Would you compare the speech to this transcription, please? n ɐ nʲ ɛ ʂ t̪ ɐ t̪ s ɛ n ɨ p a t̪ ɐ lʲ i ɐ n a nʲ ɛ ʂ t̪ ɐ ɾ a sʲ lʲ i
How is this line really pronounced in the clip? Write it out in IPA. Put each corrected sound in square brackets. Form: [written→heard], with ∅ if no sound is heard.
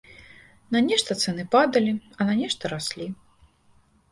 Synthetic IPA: n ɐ nʲ ɛ ʂ t̪ ɐ t̪ s ɛ n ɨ p a [t̪→d̪] ɐ lʲ i ɐ n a nʲ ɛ ʂ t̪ ɐ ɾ a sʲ lʲ i